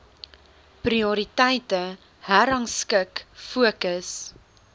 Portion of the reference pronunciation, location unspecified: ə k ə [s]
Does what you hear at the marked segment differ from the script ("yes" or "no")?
no